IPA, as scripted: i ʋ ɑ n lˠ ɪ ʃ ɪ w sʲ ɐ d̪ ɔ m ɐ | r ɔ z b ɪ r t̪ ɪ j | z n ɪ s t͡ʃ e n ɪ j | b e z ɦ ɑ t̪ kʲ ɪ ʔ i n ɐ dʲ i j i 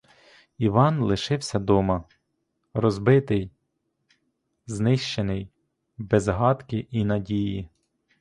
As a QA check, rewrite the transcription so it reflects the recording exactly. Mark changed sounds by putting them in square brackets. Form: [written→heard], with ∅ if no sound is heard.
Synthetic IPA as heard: i ʋ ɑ n lˠ ɪ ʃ ɪ w sʲ ɐ d̪ ɔ m ɐ | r ɔ z b ɪ [r→∅] t̪ ɪ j | z n ɪ [s→ʃ] t͡ʃ e n ɪ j | b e z ɦ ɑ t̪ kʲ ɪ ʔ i n ɐ dʲ i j i